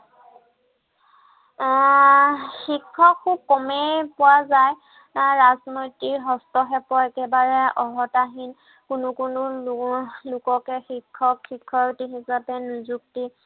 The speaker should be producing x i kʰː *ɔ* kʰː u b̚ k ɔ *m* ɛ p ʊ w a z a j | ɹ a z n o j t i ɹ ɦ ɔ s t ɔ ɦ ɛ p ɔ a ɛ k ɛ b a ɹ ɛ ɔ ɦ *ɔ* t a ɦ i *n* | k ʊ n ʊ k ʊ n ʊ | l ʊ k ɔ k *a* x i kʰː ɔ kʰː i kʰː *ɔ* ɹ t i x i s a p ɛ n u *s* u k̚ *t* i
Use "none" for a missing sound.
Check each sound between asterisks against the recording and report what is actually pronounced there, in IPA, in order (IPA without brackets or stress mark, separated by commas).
ɔ, m, ɔ, n, ɛ, ɔ, z, t